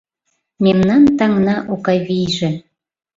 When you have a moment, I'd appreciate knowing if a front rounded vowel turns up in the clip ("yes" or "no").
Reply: no